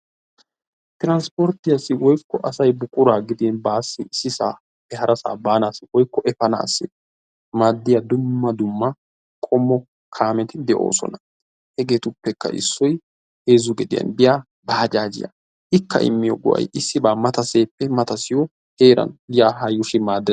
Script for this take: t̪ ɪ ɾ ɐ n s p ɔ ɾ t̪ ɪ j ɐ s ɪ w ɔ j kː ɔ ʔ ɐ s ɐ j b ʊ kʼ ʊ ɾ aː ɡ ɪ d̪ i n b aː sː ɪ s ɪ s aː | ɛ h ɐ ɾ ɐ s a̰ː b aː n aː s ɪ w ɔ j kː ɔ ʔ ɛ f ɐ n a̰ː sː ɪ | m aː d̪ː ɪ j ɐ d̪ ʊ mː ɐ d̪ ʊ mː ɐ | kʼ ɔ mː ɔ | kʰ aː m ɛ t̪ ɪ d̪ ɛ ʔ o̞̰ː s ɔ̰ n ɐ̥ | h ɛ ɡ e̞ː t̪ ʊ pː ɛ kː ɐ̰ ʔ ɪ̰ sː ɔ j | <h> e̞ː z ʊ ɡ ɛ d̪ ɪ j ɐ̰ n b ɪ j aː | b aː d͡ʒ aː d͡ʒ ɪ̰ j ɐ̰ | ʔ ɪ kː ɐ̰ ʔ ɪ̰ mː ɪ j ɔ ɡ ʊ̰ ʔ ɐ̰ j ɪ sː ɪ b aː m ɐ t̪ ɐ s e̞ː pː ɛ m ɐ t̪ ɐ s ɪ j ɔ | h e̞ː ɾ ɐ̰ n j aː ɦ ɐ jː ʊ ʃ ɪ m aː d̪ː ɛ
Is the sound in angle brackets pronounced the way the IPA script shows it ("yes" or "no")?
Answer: yes